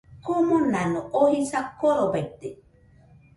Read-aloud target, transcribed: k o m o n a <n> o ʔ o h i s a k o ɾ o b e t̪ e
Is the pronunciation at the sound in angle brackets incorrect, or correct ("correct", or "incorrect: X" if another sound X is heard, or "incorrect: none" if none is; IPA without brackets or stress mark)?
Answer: correct